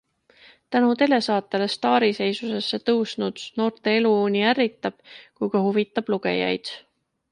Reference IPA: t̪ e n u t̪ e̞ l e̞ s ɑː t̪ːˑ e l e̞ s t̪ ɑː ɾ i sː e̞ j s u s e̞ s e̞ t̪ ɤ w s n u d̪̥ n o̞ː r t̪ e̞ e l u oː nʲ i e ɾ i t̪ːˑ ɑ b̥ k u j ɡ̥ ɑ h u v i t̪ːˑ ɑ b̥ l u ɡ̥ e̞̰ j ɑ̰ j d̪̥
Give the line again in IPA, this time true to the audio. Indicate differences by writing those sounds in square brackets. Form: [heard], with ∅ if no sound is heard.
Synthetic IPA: t̪ [æ] n u t̪ e̞ l e̞ s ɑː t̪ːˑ e l e̞ s t̪ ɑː ɾ i [s] e̞ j s u s e̞ [sː] e̞ t̪ ɤ w s n u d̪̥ n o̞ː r t̪ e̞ e l u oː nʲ i [æ] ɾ i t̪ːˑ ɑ b̥ k u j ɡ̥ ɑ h u v i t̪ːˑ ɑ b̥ l u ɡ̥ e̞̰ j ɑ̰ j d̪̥